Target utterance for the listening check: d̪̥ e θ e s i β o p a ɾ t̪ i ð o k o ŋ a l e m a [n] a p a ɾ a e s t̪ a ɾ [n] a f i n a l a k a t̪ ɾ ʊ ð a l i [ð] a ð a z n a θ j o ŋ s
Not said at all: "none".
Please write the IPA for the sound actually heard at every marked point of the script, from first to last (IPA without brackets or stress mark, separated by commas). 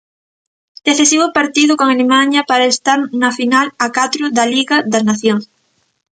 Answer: ɲ, n, ɣ